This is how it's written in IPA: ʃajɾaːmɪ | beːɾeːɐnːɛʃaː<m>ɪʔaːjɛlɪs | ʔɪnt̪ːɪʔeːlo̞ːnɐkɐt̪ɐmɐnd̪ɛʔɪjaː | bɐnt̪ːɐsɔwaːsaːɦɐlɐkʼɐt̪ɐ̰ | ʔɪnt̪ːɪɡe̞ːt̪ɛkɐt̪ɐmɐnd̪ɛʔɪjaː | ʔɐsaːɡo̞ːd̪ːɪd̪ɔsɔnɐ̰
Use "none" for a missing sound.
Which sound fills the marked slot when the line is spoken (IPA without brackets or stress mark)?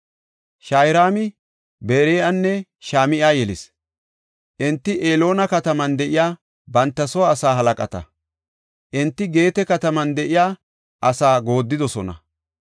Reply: m